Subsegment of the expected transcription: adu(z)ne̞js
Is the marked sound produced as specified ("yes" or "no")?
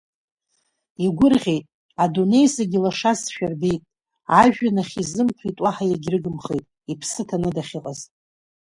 no